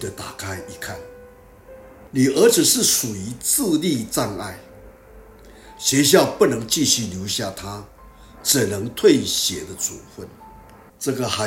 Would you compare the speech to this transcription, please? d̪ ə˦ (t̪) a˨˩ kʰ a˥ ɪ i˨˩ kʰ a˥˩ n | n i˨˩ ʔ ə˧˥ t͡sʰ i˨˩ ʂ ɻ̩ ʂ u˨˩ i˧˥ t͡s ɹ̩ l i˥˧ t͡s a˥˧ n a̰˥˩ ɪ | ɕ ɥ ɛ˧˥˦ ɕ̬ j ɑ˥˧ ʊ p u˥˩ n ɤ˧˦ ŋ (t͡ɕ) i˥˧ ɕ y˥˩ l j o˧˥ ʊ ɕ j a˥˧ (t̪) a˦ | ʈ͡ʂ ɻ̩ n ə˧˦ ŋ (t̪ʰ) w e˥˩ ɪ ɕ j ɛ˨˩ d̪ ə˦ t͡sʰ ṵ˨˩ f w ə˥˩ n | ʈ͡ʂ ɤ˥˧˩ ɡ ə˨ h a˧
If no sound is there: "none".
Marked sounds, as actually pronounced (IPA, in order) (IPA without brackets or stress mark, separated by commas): t̪, t͡ɕ, t̪ʰ, t̪ʰ